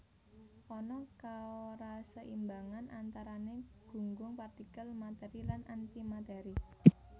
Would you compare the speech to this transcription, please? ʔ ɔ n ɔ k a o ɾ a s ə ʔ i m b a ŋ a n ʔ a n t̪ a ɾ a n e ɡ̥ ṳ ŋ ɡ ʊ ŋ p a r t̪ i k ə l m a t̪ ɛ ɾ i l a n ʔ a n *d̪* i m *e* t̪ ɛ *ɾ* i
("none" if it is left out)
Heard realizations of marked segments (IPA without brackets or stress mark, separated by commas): t̪, a, ɾ